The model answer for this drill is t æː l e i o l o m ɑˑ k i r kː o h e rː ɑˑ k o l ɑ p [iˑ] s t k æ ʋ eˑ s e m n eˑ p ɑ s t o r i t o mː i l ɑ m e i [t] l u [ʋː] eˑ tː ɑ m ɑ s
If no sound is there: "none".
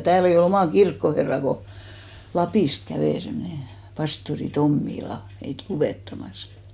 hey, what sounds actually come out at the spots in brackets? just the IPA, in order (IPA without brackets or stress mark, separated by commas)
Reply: iˑ, t, ʋ